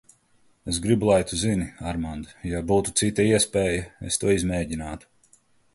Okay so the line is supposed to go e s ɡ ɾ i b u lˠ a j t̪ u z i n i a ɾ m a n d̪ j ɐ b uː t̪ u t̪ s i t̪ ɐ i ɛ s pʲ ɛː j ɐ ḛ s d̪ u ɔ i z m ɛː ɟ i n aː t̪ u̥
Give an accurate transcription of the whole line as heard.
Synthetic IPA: e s ɡ ɾ i b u lˠ a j t̪ u z i n i a ɾ m a n d̪ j a b uː t̪ u t̪ s i t̪ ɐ i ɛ s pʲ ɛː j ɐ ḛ s t̪ u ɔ i z m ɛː ɟ i n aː t̪ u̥